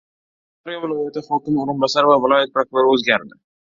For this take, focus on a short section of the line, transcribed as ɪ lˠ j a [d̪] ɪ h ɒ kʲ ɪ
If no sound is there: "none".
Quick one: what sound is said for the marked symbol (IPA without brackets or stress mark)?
t̪